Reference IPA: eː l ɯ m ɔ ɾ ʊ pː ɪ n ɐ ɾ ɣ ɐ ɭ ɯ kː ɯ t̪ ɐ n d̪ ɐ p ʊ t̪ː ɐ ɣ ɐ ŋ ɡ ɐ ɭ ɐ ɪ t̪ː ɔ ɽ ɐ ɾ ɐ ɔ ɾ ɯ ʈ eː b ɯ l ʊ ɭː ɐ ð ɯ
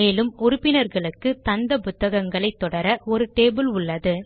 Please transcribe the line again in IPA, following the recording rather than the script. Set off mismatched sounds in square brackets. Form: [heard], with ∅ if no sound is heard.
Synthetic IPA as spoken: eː l ɯ m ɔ ɾ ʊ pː ɪ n ɐ ɾ ɣ ɐ ɭ ɯ kː ɯ t̪ ɐ n d̪ ɐ p ʊ t̪ː ɐ ɣ ɐ ŋ ɡ ɐ ɭ ɐ ɪ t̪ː ɔ ɽ ɐ ɾ ɐ ɔ ɾ ɯ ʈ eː b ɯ l ʊ ɭː ɐ ð ɯ